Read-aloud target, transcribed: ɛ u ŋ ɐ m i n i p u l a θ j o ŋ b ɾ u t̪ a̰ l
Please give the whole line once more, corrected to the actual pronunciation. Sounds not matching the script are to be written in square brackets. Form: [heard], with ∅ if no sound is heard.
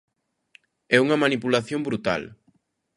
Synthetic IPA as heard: ɛ u ŋ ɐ m [a] n i p u l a θ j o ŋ b ɾ u t̪ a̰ l

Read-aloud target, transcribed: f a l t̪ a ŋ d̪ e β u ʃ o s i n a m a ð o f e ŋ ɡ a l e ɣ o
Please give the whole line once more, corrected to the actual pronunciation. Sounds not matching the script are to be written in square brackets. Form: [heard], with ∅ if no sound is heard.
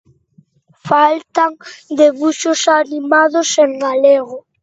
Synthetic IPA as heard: f a l t̪ a ŋ d̪ e β u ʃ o s [a] n [i] m a ð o [s] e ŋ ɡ a l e ɣ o

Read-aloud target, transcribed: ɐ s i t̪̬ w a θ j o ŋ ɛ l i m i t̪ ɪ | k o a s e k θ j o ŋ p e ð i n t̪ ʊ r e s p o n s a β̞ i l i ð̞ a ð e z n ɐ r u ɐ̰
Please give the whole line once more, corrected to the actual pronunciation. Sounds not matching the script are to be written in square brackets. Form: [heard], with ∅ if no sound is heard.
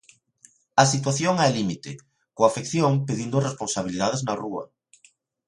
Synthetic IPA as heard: ɐ s i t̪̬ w a θ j o ŋ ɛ l i m i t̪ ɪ | k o a [f] e k θ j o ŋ p e ð i n [d̪] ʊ r e s p o n s a β̞ i l i ð̞ a ð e z n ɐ r u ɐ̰

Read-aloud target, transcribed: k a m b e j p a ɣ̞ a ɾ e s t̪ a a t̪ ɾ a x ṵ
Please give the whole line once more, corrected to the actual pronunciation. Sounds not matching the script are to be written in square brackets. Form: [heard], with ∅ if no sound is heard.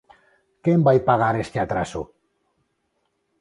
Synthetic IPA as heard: k [e] m b [a] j p a ɣ̞ a ɾ e s t̪ [e] a t̪ ɾ a [s] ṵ

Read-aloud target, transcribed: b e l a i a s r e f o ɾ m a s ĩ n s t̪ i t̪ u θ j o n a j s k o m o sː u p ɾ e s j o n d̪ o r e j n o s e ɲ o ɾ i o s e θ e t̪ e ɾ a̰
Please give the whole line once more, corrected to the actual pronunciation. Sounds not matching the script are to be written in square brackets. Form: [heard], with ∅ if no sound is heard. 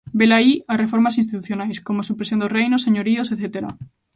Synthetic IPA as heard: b e l a i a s r e f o ɾ m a s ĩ n s t̪ i t̪ u θ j o n a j s k o m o [s] u p ɾ e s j o n d̪ o r e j n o s e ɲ o ɾ i o s e θ e t̪ e ɾ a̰

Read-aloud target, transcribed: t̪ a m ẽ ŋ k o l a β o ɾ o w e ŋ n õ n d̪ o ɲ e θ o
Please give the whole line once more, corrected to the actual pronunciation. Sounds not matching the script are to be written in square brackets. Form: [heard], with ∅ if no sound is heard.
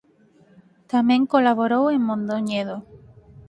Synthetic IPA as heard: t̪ a m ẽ ŋ k o l a β o ɾ o w e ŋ [m] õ n d̪ o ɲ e [ð] o

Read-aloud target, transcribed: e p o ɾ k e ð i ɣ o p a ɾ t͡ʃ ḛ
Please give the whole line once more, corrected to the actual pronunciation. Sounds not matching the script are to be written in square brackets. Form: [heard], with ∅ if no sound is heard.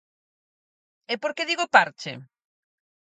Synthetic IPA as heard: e p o ɾ k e ð i ɣ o p a ɾ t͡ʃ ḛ

